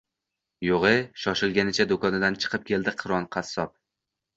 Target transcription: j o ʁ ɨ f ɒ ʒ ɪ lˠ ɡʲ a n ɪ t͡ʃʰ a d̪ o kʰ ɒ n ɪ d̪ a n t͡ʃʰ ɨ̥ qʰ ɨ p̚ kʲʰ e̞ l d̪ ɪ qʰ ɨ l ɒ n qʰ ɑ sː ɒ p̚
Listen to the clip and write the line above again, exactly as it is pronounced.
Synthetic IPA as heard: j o ʁ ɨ ʃ ɒ ʃ ɪ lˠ ɡʲ a n ɪ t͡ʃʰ a d̪ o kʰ ɒ n ɪ d̪ a n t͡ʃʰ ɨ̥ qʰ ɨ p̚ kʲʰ e̞ l d̪ ɪ qʰ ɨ ɾ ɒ n qʰ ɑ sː ɒ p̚